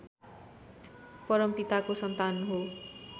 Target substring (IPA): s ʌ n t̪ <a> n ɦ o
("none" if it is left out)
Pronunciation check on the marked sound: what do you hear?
a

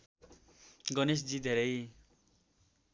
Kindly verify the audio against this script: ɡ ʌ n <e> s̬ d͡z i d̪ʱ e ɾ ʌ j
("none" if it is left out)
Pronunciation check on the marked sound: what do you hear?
e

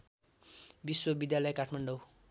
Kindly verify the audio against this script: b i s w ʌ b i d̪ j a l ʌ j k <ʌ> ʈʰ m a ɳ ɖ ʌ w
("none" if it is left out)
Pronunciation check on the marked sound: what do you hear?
a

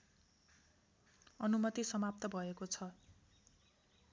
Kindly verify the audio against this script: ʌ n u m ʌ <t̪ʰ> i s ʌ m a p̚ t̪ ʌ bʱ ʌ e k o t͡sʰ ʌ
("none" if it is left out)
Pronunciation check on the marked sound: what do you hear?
t̪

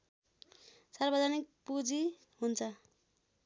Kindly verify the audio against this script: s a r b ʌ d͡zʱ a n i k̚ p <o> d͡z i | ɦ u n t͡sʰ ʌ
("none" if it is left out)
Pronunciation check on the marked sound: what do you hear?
u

